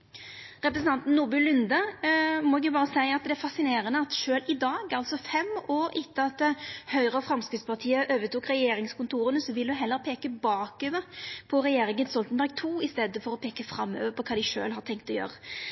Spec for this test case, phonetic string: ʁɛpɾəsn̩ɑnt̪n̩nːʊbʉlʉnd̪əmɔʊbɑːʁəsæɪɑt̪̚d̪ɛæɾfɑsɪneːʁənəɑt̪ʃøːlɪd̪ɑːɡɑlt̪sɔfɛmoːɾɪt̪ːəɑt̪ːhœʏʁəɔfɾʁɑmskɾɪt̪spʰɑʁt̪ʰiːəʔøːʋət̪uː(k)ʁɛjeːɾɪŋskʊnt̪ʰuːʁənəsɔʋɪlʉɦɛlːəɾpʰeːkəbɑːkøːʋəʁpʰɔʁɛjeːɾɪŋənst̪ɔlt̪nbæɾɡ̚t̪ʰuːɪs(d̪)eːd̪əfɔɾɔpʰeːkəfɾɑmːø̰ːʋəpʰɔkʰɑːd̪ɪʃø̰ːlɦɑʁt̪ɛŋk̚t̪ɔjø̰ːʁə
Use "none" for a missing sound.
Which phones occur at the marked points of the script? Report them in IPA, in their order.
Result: k, t̪

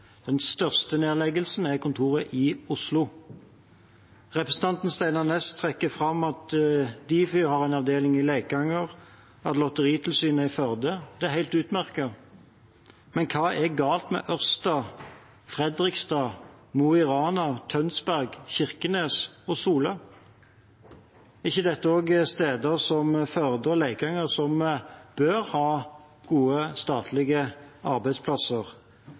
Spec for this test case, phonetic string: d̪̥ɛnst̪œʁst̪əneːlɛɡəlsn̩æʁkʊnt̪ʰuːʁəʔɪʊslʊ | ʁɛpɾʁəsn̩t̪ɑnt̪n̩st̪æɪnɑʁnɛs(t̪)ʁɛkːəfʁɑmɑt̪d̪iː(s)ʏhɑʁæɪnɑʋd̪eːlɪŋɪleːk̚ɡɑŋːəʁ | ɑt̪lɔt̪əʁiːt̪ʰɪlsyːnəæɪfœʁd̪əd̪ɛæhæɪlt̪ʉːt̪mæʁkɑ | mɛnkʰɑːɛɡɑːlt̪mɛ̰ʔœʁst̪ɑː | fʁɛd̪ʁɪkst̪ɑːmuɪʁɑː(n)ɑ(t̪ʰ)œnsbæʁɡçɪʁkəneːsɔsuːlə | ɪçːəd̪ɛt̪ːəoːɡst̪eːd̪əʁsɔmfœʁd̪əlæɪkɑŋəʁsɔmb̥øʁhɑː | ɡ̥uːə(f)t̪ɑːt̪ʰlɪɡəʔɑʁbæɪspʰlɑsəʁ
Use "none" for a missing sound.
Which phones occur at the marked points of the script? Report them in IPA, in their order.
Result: t̪ʰ, f, n, t̪ʰ, s

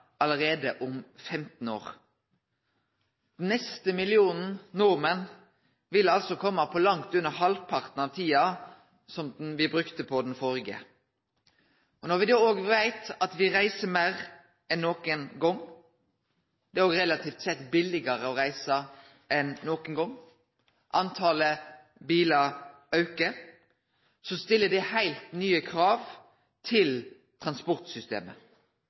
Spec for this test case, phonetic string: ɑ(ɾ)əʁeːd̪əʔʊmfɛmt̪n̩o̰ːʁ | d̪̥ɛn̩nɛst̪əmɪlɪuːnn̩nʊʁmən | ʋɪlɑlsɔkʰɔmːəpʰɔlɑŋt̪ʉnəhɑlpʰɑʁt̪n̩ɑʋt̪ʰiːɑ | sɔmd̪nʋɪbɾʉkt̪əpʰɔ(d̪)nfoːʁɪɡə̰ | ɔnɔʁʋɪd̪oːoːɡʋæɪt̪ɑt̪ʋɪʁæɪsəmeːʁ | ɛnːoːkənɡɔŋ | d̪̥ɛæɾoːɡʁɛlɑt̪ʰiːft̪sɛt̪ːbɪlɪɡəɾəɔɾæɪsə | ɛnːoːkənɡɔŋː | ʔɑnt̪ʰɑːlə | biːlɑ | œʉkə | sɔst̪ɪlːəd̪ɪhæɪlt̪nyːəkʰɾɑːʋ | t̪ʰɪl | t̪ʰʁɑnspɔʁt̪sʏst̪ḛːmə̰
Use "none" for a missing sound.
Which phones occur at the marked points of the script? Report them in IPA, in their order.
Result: l, d̪

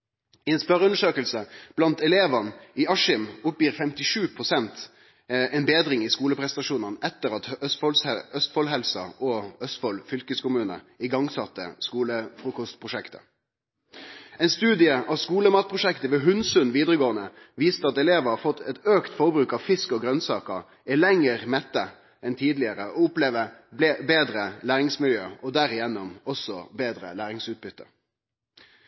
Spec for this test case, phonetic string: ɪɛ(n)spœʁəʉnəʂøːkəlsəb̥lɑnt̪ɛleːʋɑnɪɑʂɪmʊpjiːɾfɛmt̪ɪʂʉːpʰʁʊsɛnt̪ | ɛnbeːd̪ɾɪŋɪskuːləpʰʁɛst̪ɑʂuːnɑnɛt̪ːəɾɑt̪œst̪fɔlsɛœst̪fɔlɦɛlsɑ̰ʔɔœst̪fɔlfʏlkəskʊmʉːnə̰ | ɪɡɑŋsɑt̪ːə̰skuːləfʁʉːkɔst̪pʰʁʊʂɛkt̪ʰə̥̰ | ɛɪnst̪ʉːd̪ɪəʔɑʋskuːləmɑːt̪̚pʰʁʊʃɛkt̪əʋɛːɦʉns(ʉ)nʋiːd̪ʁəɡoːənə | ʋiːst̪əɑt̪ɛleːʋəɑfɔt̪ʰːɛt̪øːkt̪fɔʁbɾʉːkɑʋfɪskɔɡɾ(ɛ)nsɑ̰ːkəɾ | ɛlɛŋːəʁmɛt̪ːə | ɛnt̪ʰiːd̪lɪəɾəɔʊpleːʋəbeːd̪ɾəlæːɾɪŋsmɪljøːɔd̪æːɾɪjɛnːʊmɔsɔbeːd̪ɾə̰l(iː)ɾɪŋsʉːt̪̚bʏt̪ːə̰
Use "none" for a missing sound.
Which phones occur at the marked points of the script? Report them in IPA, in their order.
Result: n, ʉ, œ, æː

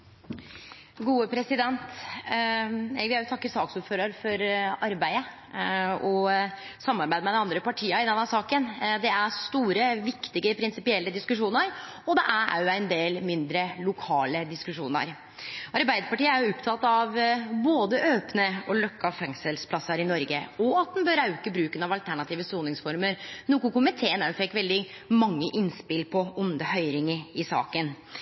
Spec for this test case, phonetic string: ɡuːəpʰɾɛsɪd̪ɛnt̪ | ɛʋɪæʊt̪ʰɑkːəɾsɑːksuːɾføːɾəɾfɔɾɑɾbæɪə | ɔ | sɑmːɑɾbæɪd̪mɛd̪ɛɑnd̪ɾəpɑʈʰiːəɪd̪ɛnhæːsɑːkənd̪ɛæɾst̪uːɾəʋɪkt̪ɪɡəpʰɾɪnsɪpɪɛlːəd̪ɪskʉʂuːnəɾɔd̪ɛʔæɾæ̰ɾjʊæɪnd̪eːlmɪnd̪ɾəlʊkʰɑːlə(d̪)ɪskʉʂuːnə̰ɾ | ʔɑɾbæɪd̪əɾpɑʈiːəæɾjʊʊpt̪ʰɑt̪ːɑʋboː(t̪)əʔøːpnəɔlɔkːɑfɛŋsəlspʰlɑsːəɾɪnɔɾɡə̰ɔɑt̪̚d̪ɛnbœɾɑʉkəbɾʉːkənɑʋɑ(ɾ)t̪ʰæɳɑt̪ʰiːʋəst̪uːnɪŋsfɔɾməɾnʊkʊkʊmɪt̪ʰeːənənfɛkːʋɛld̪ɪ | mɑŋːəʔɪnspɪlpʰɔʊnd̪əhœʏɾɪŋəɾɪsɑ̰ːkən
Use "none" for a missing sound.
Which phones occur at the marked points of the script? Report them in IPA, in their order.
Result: d̪, d̪, l

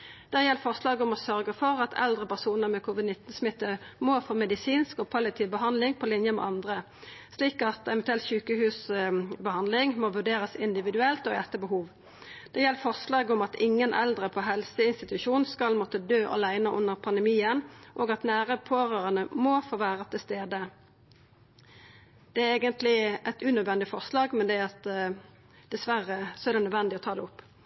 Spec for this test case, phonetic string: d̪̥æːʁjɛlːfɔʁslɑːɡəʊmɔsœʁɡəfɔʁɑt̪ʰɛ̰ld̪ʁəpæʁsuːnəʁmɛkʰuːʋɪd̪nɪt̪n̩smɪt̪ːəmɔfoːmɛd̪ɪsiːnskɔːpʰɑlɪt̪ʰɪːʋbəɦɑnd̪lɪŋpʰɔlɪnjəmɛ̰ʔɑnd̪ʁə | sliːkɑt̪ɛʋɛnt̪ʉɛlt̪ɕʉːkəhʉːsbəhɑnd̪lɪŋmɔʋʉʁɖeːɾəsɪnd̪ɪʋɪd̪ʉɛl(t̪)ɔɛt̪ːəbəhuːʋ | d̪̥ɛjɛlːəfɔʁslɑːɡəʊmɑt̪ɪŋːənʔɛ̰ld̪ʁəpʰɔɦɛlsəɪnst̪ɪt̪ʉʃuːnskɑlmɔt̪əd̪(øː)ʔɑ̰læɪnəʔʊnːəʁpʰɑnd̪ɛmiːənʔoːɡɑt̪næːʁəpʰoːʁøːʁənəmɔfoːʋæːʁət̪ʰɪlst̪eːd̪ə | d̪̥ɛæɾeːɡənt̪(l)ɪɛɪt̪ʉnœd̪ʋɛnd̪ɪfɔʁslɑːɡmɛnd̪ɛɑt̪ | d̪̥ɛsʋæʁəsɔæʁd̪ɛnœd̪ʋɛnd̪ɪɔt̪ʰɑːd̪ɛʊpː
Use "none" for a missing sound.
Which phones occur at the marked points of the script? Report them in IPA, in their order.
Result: t̪, øː, l

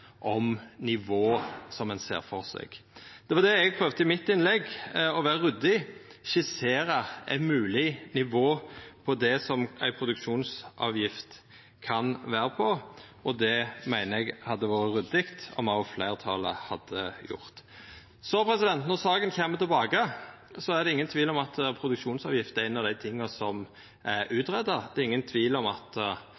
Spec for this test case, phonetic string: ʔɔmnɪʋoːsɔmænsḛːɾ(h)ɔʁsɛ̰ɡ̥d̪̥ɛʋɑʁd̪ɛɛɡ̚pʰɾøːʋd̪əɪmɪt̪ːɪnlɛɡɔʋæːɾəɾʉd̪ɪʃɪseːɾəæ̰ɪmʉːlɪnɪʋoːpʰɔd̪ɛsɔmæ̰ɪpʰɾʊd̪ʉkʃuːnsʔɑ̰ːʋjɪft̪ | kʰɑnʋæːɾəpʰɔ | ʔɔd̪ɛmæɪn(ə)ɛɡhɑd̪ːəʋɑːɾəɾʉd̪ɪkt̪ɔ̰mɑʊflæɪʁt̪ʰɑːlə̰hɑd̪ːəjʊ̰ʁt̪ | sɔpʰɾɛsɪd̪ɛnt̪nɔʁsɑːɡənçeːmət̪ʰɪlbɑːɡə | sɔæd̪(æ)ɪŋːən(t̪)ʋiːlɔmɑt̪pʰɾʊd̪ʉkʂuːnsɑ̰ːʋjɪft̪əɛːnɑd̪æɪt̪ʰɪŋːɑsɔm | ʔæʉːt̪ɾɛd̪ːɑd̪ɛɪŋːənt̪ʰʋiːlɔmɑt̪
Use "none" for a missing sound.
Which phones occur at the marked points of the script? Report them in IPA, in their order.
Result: f, ə, ɛ, t̪ʰ

